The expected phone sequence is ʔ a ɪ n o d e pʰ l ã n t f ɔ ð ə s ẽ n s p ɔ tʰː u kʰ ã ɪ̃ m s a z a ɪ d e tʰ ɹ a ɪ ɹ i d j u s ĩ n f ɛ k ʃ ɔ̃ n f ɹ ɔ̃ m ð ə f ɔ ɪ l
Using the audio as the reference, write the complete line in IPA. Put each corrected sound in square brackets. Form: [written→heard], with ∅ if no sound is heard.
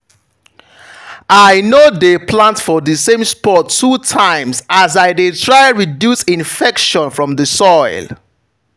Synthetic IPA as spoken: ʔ a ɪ n o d e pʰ l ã n t f ɔ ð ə s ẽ [n→m] s p ɔ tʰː u [kʰ→tʰ] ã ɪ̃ m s a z a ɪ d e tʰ ɹ a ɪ ɹ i d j u s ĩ n f ɛ k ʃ ɔ̃ n f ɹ ɔ̃ m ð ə [f→s] ɔ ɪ l